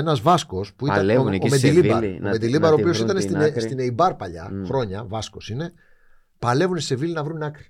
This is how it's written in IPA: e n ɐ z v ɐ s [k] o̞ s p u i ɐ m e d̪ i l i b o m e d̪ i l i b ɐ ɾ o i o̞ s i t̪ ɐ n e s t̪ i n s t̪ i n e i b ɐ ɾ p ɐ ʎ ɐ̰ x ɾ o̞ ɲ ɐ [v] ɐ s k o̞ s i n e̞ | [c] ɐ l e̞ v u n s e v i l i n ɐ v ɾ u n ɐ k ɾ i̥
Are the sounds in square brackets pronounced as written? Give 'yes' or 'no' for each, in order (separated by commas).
yes, yes, no